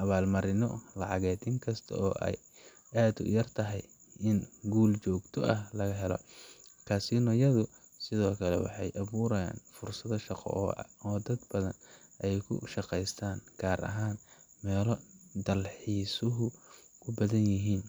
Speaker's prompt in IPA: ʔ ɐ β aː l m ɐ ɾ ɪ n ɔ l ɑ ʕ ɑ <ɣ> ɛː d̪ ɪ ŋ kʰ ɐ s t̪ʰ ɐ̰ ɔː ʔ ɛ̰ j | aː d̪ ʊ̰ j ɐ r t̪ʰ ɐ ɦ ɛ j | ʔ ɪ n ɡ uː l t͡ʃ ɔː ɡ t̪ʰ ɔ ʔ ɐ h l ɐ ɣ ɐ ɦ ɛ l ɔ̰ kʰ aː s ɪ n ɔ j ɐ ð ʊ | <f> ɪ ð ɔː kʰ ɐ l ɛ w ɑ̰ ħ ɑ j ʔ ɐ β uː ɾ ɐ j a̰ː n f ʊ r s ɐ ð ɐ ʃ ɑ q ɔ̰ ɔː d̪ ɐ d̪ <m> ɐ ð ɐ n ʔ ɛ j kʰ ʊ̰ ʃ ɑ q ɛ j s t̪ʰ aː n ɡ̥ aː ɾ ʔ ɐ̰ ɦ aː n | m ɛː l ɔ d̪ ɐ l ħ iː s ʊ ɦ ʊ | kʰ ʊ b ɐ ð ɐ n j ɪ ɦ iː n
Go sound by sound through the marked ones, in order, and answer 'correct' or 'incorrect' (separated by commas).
correct, incorrect, incorrect